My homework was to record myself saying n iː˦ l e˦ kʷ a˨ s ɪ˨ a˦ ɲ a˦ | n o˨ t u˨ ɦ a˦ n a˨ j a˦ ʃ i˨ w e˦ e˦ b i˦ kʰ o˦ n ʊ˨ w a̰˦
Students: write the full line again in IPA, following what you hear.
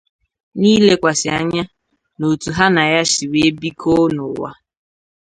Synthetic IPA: n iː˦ l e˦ kʷ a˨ s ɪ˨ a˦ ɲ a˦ | n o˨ t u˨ ɦ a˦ n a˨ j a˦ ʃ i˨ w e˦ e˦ b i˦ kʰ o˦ n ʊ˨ w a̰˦